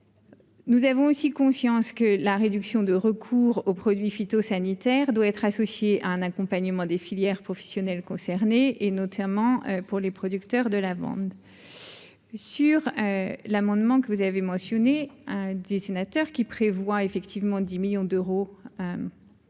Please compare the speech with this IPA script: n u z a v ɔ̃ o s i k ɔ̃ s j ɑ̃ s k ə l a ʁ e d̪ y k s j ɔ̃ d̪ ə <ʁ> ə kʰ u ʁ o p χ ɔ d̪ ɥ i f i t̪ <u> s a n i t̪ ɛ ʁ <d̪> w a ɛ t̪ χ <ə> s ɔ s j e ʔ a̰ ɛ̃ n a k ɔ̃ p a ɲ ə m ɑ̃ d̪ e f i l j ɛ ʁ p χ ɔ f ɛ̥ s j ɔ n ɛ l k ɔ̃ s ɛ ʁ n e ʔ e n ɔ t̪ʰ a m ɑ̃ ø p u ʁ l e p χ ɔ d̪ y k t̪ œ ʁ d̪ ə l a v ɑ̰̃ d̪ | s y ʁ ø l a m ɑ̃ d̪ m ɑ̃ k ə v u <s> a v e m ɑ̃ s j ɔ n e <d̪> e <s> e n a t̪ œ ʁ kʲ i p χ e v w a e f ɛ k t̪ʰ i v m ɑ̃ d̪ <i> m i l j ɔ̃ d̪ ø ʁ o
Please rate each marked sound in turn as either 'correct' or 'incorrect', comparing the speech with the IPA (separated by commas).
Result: correct, incorrect, correct, incorrect, incorrect, correct, correct, correct